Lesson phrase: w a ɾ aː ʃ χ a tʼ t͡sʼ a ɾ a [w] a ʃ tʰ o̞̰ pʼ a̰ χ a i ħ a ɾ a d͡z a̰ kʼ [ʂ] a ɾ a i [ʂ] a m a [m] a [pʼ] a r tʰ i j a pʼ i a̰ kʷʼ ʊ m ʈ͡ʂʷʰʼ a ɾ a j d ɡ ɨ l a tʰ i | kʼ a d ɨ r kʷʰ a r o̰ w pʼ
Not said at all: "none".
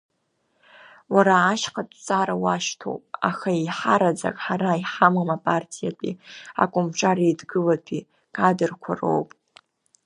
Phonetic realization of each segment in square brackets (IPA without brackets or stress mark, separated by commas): w, ħ, ħ, m, pʼ